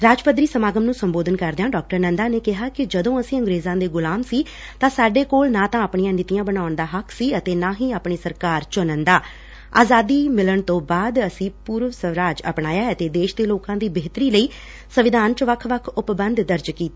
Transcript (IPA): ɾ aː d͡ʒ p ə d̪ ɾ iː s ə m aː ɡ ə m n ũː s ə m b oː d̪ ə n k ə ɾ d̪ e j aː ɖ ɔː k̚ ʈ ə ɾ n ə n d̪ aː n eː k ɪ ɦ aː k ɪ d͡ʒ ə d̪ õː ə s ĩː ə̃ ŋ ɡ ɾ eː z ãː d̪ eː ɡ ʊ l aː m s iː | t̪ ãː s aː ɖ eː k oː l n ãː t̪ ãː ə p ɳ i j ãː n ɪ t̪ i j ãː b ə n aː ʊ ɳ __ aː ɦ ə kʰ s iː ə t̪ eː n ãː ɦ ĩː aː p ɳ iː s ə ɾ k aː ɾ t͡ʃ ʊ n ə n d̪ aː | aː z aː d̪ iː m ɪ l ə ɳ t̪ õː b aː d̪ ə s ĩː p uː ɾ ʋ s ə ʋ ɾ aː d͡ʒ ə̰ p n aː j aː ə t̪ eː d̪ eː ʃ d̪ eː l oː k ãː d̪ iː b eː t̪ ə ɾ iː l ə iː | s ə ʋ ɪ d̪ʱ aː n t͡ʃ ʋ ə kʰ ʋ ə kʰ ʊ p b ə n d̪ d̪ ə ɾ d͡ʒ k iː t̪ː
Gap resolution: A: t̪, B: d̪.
B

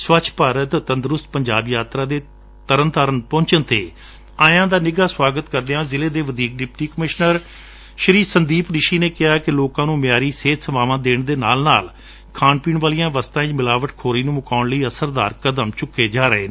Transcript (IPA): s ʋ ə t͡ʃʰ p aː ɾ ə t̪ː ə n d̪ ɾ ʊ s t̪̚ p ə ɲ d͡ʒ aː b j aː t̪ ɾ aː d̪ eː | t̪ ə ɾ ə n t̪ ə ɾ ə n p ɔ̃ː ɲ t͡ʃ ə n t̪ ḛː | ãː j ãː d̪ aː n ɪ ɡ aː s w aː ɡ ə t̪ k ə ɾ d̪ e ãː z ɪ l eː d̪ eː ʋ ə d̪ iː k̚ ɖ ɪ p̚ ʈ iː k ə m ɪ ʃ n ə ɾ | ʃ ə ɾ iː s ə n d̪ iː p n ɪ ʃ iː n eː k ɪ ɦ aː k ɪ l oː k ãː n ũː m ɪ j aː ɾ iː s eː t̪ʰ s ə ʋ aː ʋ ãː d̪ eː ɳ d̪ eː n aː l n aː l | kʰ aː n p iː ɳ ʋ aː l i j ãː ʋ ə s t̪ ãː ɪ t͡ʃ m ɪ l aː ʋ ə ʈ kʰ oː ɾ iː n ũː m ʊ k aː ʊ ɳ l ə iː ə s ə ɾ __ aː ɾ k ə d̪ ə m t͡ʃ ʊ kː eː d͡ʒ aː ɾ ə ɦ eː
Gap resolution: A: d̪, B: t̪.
A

